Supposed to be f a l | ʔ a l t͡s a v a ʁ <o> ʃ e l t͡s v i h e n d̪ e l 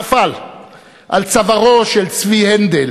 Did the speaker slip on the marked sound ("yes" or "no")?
no